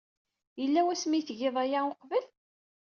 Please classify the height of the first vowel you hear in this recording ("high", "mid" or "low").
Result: mid